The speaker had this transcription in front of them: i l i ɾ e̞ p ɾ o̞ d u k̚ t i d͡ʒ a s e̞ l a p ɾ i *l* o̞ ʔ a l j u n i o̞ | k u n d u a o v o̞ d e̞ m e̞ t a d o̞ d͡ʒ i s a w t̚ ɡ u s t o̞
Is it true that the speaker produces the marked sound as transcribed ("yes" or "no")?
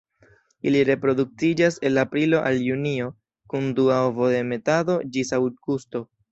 yes